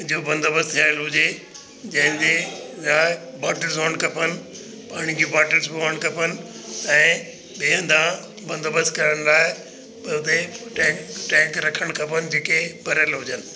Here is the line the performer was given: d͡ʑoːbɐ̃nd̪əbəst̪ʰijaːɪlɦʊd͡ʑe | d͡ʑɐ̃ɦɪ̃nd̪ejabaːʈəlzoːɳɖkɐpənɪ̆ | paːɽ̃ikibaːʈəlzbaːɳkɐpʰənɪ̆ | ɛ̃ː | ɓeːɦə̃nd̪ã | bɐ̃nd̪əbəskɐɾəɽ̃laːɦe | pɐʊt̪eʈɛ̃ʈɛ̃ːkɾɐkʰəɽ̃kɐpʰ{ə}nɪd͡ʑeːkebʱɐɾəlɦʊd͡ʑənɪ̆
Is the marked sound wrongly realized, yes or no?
no